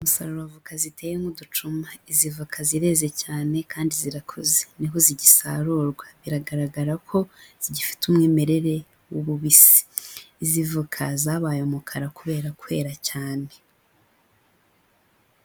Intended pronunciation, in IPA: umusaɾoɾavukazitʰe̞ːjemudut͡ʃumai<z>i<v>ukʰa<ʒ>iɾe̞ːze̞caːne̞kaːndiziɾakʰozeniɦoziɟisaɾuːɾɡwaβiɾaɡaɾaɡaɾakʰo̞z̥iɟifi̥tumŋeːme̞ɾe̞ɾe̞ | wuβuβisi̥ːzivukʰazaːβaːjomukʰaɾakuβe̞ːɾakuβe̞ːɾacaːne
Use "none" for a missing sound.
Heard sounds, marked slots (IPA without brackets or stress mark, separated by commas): z, v, z